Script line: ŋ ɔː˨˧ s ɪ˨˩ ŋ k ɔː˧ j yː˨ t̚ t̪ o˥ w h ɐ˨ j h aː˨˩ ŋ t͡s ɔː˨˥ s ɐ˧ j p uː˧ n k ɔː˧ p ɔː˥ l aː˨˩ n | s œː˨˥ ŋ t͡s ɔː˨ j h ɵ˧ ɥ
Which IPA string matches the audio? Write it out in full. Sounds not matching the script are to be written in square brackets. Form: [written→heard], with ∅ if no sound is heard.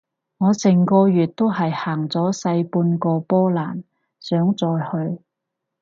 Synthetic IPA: ŋ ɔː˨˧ s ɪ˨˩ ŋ k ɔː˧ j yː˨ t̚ t̪ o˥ w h ɐ˨ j h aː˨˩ ŋ t͡s ɔː˨˥ s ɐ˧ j p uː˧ n k ɔː˧ p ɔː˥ l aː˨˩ n | s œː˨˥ ŋ t͡s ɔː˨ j h ɵ˧ ɥ